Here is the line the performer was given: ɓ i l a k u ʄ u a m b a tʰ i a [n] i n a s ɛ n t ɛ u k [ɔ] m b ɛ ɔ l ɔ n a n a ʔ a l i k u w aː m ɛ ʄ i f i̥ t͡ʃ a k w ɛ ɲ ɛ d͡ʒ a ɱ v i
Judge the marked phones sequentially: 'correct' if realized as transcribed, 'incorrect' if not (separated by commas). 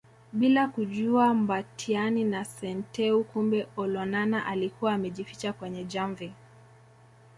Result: correct, incorrect